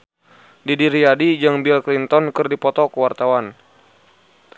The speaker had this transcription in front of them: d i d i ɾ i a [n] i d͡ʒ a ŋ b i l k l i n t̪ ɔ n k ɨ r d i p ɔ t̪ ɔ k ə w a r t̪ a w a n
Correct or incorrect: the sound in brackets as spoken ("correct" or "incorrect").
incorrect